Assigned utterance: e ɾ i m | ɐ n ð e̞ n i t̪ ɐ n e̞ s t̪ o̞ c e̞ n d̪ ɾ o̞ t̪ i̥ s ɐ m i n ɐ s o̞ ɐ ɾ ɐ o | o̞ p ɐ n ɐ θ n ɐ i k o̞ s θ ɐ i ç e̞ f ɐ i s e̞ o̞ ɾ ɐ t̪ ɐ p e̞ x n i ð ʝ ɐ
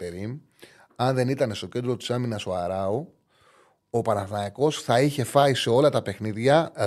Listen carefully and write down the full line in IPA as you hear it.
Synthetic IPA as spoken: e ɾ i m | ɐ n ð e̞ n i t̪ ɐ n e̞ s t̪ o̞ c e̞ n d̪ ɾ o̞ t̪ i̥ s ɐ m i n ɐ s o̞ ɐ ɾ ɐ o | o̞ p ɐ n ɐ θ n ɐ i k o̞ s θ ɐ i ç e̞ f ɐ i s e̞ o̞ l ɐ t̪ ɐ p e̞ x n i ð ʝ ɐ